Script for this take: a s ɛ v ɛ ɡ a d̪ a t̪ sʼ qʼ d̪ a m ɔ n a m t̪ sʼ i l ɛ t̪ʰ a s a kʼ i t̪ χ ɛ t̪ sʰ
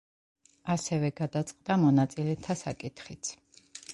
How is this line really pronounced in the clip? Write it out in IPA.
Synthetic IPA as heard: a s ɛ v ɛ ɡ a d̪ a t̪ sʼ qʼ d̪ a m ɔ n a t̪ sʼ i l ɛ t̪ʰ a s a kʼ i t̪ χ i t̪ sʰ

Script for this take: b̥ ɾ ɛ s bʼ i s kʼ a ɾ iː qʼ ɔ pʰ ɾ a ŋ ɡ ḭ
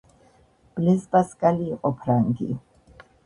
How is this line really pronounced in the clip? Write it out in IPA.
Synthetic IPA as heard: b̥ l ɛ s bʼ a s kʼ a l iː qʼ ɔ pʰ ɾ a ŋ ɡ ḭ

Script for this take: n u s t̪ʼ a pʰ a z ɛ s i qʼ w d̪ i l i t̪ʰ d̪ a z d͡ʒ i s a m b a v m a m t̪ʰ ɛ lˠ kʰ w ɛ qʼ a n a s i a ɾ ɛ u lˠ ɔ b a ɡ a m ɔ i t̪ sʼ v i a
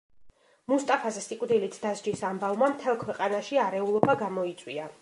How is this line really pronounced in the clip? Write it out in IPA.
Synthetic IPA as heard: m u s t̪ʼ a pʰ a z ɛ s i kʼ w d̪ i l i t̪ʰ d̪ a z d͡ʒ i s a m b a v m a m t̪ʰ ɛ lˠ kʰ w ɛ qʼ a n a ʃ i a ɾ ɛ u lˠ ɔ b a ɡ a m ɔ i t̪ sʼ w i a

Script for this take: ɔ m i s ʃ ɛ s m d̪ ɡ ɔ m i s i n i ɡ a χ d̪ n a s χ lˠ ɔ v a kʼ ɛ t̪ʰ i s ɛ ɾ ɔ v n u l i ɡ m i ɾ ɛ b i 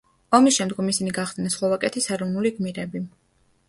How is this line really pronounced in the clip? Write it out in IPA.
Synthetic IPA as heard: ɔ m i s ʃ ɛ m d̪ ɡ ɔ m i s i n i ɡ a χ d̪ n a s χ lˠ ɔ v a kʼ ɛ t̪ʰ i s ɛ ɾ ɔ v n u l i ɡ m i ɾ ɛ b i

